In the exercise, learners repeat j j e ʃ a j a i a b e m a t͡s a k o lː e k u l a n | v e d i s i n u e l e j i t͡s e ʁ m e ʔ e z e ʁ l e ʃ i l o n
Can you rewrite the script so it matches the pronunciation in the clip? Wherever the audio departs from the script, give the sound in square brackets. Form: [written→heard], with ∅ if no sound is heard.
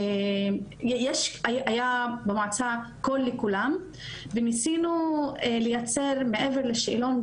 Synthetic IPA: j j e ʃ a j a [i→j] a b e m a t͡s a k o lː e k u l a [n→m] | v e [d→n] i s i n u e l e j [i→a] t͡s e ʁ m e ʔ e [z→v] e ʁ l e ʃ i l o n